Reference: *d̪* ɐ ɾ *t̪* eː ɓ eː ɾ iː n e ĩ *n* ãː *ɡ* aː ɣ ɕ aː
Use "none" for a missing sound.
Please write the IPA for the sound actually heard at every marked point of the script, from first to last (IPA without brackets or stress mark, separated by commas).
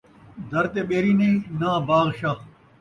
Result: d̪, t̪, n, b